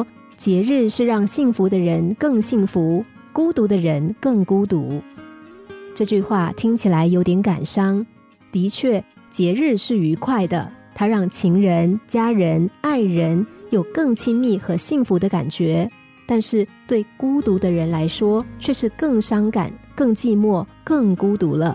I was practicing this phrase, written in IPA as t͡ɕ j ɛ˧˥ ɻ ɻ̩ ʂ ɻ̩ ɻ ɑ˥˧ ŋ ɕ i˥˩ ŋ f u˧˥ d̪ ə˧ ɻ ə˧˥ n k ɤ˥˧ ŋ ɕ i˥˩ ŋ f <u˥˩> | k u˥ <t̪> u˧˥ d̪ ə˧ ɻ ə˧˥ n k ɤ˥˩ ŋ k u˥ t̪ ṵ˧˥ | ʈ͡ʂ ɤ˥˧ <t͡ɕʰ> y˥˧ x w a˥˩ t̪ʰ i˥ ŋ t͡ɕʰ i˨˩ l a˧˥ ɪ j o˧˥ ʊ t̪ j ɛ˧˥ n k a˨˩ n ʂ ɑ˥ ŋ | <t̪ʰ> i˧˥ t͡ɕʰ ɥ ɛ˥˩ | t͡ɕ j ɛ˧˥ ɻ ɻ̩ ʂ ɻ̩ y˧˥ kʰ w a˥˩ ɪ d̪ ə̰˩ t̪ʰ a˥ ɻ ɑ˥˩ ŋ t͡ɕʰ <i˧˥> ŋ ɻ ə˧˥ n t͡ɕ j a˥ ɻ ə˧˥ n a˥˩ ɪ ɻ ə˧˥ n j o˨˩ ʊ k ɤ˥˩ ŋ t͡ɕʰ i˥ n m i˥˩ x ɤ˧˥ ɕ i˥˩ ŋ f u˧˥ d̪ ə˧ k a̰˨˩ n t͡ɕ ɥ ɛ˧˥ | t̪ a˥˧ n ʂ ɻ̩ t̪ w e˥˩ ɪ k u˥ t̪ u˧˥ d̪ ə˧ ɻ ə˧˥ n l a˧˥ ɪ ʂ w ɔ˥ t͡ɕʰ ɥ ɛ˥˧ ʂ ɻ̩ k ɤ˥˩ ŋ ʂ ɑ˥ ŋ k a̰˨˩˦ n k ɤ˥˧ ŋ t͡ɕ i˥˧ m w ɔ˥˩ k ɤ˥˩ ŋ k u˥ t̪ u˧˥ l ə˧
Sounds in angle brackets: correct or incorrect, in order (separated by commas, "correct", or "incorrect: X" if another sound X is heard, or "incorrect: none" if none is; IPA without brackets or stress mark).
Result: incorrect: u˧˥, correct, incorrect: t͡ɕ, incorrect: t̪, correct